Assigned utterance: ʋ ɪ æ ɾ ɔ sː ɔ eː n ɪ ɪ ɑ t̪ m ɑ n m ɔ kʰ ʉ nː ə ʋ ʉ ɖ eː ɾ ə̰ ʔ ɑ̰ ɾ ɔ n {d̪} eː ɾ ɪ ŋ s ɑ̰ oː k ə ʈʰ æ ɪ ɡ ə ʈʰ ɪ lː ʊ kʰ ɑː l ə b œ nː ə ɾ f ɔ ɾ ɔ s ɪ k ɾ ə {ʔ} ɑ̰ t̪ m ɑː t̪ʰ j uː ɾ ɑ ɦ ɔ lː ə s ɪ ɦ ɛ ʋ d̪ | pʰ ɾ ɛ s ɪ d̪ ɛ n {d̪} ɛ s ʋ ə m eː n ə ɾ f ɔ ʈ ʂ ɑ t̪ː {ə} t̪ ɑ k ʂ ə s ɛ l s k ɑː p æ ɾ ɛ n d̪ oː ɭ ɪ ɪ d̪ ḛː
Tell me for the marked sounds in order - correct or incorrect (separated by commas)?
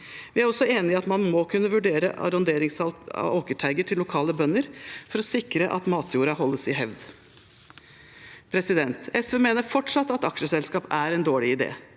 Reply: correct, correct, incorrect, incorrect